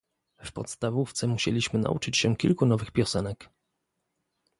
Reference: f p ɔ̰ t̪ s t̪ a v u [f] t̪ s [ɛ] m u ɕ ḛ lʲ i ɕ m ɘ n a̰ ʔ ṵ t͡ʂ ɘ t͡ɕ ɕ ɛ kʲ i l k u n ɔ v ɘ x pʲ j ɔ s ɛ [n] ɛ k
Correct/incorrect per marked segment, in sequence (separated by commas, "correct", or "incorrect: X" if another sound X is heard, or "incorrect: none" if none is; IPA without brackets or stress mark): correct, correct, correct